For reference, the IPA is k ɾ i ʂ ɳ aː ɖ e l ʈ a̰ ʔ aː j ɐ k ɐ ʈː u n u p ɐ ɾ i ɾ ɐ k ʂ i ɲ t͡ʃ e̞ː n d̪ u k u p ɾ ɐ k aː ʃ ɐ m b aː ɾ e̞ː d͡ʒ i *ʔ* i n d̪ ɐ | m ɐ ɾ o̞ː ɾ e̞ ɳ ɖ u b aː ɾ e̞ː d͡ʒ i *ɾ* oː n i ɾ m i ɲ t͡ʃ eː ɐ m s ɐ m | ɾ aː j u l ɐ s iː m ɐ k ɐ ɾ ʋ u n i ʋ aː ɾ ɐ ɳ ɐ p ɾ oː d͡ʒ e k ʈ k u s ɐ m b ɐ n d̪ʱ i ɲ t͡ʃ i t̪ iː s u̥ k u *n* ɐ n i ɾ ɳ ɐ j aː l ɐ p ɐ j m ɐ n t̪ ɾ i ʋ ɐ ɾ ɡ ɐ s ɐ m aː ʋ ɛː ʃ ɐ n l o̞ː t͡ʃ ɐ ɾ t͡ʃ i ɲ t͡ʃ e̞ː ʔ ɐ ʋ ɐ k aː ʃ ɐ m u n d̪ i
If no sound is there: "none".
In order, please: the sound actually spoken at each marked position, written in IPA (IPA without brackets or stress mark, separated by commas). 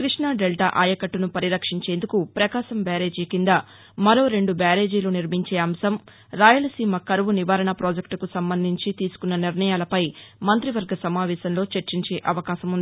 k, l, nː